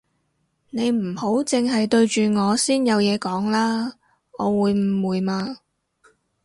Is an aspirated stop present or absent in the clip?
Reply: absent